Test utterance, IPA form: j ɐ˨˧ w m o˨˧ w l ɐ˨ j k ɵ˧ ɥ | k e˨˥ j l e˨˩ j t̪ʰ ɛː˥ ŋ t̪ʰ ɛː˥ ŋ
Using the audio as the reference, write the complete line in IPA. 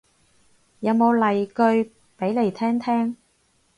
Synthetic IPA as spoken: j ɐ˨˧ w m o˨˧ w l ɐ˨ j k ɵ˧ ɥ | p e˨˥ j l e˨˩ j t̪ʰ ɛː˥ ŋ t̪ʰ ɛː˥ ŋ